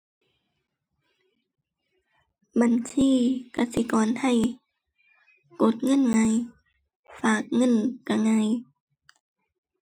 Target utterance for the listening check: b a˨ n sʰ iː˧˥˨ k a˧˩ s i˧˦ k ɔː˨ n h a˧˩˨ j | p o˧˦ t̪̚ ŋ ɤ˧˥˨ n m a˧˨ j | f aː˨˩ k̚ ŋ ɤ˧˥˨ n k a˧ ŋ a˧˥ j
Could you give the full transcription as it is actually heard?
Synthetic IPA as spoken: b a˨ n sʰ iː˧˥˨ k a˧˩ s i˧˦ k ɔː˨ n h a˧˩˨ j | k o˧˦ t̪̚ ŋ ɤ˧˥˨ n ŋ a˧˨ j | f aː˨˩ k̚ ŋ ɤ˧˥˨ n k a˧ ŋ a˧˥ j